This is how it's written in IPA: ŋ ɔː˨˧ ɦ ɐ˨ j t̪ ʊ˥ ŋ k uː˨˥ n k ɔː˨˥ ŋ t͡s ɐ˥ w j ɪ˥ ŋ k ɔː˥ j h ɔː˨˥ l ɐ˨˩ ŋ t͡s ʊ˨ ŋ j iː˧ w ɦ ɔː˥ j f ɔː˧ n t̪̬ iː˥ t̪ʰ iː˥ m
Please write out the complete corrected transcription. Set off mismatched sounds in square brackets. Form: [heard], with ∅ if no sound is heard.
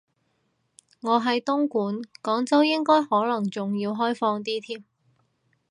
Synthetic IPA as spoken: ŋ ɔː˨˧ ɦ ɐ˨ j t̪ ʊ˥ ŋ k uː˨˥ n k ɔː˨˥ ŋ t͡s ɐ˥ w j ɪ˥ ŋ k ɔː˥ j h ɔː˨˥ l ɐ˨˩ ŋ t͡s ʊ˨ ŋ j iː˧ w ɦ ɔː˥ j f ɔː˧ [ŋ] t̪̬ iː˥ t̪ʰ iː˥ m